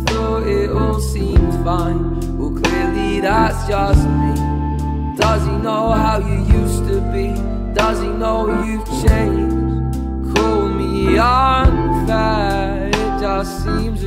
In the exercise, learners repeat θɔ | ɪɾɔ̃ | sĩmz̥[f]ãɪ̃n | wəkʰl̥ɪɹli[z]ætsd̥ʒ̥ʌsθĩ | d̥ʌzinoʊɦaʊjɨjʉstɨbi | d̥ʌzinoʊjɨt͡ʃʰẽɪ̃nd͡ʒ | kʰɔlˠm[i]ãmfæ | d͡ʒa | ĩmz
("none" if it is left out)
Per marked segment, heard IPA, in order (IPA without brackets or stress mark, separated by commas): f, ð, i